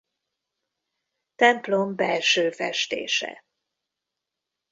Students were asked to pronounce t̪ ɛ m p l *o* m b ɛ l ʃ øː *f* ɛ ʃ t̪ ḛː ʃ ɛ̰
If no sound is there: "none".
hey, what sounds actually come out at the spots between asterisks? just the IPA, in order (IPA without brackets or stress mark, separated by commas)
o, f